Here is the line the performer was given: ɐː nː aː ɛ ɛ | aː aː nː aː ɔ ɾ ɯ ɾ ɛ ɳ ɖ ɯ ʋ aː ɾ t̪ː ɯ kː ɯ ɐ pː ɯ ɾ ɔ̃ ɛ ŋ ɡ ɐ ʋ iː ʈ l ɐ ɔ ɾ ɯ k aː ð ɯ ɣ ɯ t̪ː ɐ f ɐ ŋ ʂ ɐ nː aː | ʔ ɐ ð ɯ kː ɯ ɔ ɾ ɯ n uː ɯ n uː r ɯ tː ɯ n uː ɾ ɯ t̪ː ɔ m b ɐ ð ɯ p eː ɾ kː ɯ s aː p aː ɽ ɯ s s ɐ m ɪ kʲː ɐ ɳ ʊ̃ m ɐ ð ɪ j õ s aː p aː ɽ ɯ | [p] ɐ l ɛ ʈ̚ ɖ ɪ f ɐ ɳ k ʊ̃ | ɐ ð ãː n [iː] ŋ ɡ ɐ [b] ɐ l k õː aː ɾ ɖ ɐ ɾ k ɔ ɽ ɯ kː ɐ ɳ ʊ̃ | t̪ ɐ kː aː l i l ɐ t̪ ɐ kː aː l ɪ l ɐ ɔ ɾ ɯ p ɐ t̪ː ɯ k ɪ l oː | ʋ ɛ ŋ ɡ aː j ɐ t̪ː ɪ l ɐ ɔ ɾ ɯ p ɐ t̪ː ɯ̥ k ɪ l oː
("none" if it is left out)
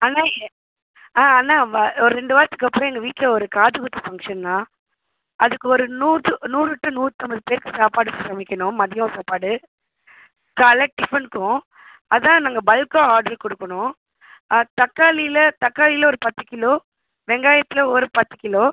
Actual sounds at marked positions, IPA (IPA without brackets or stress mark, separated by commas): k, aː, b